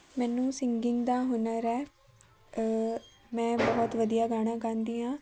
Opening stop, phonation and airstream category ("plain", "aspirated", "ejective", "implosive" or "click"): plain